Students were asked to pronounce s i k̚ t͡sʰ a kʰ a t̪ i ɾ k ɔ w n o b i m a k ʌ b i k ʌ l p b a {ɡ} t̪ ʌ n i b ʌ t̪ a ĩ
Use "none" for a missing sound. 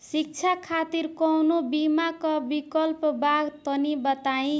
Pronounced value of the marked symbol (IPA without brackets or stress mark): ɡ